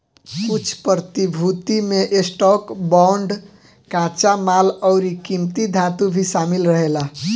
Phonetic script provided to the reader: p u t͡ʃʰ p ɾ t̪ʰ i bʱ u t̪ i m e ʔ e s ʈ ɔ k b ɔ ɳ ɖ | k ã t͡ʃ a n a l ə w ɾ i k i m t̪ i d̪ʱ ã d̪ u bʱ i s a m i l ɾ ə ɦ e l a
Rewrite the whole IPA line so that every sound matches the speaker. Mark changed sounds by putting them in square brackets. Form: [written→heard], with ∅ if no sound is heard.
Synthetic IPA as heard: [p→k] u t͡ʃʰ p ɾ [t̪ʰ→t̪] i bʱ u t̪ i m e ʔ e s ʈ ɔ k b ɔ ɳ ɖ | k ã t͡ʃ a [n→m] a l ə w ɾ i k i m t̪ i d̪ʱ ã [d̪→t̪] u bʱ i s a m i l ɾ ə ɦ e l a